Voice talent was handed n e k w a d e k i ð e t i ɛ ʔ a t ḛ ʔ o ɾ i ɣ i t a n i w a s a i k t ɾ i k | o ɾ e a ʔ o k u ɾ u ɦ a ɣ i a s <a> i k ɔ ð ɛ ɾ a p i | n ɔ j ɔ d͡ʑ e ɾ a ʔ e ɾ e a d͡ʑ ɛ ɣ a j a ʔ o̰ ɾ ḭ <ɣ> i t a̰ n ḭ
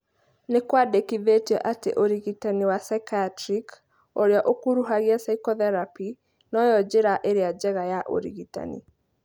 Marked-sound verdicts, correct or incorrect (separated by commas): correct, correct